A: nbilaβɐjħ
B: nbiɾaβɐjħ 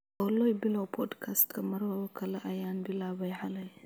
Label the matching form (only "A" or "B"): A